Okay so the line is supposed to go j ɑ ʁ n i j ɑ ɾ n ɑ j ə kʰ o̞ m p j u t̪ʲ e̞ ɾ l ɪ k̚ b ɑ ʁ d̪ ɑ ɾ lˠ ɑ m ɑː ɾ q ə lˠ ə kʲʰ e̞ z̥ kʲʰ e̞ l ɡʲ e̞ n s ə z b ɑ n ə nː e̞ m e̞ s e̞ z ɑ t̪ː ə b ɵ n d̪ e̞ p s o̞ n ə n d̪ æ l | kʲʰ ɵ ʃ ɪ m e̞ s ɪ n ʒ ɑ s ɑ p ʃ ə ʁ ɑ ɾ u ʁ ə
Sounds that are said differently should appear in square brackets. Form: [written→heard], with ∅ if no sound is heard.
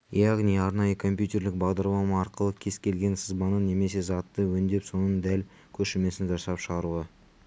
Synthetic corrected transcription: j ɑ ʁ n i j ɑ ɾ n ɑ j ə kʰ o̞ m p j u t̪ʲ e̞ ɾ l ɪ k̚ b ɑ ʁ d̪ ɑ ɾ lˠ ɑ m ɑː ɾ q ə lˠ ə kʲʰ e̞ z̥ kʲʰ e̞ l ɡʲ e̞ n s ə z b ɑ n ə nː e̞ m e̞ s e̞ z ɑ t̪ː ə [b→w] ɵ n d̪ e̞ p s o̞ n ə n d̪ æ l | kʲʰ ɵ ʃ ɪ m e̞ s ɪ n ʒ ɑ s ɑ p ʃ ə ʁ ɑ ɾ u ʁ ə